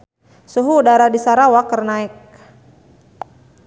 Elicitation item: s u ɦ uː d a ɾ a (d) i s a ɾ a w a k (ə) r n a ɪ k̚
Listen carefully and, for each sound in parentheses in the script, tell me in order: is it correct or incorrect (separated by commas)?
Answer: correct, correct